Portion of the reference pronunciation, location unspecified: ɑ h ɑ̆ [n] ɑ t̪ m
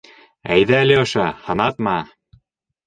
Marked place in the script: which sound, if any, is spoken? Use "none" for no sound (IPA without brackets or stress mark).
n